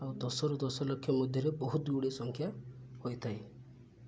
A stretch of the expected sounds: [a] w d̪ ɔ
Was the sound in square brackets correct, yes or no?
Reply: yes